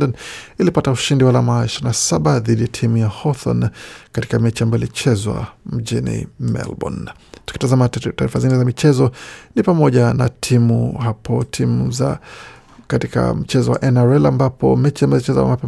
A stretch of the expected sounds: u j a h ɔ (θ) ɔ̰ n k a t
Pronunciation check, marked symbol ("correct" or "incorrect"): correct